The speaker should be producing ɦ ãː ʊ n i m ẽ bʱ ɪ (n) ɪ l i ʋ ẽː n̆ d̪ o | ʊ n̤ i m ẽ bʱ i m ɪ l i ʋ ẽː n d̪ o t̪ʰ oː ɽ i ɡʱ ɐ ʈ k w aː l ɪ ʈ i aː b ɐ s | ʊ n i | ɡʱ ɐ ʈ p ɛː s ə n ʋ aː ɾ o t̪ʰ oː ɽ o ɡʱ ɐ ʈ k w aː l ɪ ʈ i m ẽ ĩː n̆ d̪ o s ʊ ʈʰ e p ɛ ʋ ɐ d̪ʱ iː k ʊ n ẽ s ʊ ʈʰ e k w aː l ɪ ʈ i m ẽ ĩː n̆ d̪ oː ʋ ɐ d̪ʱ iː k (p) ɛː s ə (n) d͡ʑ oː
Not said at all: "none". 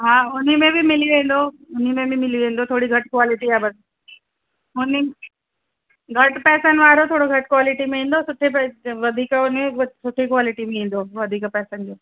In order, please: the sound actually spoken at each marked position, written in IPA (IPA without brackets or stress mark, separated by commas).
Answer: m, p, n